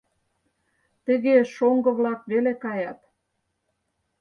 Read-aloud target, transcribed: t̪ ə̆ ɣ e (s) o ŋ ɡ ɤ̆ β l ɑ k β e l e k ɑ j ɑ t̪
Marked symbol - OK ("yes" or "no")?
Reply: no